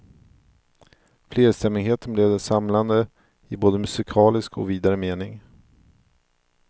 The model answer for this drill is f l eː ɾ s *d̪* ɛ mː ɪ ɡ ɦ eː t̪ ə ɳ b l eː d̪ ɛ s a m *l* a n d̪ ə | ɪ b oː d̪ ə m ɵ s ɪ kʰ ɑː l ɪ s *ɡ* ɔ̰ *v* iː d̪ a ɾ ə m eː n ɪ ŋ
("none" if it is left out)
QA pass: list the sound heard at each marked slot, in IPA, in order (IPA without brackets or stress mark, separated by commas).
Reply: t̪, l, k, v